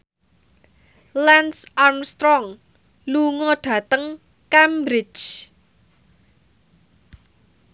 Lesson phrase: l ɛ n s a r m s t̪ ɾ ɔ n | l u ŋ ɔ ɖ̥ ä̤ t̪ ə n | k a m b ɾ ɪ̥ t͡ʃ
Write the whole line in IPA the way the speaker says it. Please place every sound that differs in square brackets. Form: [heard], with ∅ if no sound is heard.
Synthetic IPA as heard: l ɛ n s a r m s t̪ ɾ ɔ [ŋ] | l u ŋ ɔ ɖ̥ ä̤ t̪ ə [ŋ] | k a m b ɾ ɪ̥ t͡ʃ